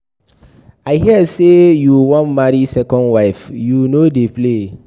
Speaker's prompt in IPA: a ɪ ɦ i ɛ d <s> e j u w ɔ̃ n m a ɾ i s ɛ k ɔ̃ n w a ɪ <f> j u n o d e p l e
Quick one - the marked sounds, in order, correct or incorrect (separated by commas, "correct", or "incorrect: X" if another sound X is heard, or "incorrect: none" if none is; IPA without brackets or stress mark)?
correct, correct